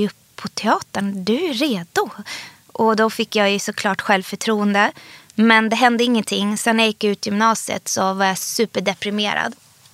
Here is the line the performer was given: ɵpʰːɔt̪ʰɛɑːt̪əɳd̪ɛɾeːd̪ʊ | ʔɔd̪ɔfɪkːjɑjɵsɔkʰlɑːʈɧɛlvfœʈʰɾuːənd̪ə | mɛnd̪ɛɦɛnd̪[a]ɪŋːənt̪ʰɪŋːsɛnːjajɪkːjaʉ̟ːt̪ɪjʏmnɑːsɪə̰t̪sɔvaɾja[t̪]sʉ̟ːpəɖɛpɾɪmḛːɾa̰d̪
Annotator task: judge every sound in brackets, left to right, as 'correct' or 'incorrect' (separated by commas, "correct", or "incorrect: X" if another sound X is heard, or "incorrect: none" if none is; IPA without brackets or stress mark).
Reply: incorrect: ə, incorrect: none